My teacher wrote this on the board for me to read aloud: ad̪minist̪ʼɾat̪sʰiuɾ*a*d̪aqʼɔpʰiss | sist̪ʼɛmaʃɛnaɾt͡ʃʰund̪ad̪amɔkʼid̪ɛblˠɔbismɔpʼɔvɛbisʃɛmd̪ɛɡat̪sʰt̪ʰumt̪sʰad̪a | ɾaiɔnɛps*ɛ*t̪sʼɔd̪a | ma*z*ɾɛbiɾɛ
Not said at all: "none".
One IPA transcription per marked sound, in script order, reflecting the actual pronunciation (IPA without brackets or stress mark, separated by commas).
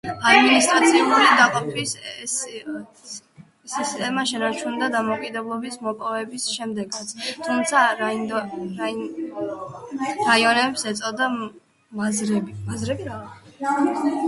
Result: i, ɛ, z